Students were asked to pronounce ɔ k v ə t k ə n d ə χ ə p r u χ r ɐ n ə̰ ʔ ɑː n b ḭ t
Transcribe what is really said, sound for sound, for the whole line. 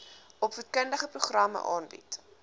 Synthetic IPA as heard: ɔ p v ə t k ə n d ə χ ə p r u χ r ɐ m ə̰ ʔ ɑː n b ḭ t